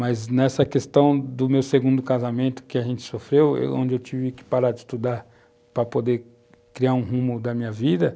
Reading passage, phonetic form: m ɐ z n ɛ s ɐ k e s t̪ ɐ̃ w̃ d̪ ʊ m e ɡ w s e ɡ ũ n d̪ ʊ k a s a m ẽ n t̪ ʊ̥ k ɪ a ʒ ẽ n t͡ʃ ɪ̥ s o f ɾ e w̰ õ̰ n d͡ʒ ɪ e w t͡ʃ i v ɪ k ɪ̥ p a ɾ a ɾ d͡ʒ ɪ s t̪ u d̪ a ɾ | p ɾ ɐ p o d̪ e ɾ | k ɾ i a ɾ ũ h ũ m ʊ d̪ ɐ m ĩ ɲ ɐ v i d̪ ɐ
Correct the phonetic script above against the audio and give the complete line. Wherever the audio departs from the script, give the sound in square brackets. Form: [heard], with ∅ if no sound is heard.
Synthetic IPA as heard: m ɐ z n ɛ s ɐ k e s t̪ ɐ̃ w̃ d̪ ʊ m e [∅] w s e ɡ ũ n d̪ ʊ k a [z] a m ẽ n t̪ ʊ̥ k ɪ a ʒ ẽ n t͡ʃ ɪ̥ s o f ɾ e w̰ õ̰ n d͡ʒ ɪ e w t͡ʃ i v ɪ k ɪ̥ p a ɾ a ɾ d͡ʒ ɪ s t̪ u d̪ a ɾ | p ɾ ɐ p o d̪ e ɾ | k ɾ i a ɾ ũ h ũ m ʊ d̪ ɐ m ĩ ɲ ɐ v i d̪ ɐ